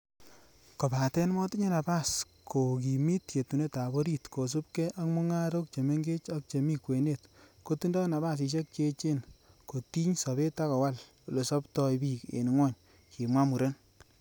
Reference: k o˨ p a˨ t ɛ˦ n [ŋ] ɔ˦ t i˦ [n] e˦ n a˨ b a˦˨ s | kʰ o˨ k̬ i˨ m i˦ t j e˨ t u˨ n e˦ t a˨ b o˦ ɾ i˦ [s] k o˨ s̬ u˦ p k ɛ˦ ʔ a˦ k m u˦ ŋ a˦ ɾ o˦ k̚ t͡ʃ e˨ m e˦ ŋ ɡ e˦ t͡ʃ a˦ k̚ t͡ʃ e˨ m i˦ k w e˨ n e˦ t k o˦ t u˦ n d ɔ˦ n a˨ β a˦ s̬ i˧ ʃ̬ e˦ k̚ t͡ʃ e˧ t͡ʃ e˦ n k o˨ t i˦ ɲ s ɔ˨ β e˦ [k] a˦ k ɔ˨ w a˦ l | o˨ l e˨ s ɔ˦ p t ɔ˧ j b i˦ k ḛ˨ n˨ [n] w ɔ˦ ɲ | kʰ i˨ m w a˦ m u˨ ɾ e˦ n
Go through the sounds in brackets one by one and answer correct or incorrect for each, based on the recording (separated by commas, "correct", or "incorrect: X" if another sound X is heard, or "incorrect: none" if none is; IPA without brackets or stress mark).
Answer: incorrect: m, incorrect: ɲ, incorrect: t, incorrect: t, incorrect: ŋ